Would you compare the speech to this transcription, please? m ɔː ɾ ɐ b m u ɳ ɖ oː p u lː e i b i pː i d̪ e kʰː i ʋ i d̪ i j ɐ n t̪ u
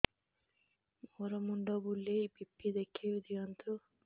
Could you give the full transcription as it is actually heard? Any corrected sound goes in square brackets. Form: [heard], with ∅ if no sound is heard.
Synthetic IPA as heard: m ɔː ɾ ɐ [∅] m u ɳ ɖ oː [b] u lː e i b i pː i d̪ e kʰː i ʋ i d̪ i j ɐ n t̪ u